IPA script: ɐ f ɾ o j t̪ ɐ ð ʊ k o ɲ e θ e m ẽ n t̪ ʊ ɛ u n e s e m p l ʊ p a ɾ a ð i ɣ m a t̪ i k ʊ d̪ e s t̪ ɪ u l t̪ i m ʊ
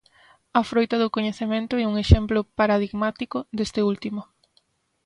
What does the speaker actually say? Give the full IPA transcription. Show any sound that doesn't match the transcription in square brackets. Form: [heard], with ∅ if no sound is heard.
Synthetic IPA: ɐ f ɾ o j t̪ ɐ ð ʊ k o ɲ e θ e m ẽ n t̪ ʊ ɛ u [ŋ] e [ʃ] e m p l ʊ p a ɾ a ð i ɣ m a t̪ i k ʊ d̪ e s t̪ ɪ u l t̪ i m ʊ